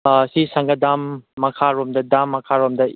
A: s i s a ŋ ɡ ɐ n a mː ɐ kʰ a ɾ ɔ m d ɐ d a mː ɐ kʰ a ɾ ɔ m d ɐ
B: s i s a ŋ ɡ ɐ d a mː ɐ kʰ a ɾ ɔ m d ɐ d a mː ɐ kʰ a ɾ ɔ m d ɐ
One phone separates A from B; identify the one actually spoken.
B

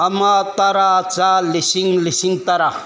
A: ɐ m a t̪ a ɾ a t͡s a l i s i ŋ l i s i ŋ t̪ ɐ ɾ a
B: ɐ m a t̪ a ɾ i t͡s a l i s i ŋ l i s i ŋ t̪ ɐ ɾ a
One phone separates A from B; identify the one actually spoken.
A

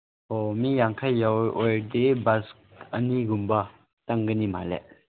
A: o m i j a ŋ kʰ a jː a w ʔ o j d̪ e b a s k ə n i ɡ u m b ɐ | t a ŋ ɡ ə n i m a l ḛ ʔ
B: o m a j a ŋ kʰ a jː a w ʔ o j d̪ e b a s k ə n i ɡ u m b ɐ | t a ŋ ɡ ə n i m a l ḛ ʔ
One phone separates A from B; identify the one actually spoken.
A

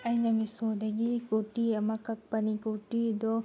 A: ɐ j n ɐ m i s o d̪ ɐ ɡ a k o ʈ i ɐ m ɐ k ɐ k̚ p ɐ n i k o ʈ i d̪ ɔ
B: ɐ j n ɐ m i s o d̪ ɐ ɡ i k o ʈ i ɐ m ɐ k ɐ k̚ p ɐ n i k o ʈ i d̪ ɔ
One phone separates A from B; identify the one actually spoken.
B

